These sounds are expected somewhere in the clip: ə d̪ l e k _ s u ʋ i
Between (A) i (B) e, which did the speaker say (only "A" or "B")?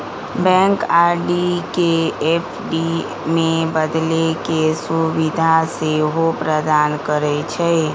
B